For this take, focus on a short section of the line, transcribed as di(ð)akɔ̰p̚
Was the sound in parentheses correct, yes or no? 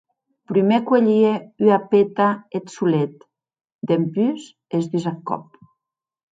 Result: no